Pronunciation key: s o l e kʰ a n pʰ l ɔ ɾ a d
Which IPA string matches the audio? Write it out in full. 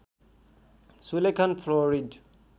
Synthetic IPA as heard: s u l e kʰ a n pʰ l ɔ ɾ i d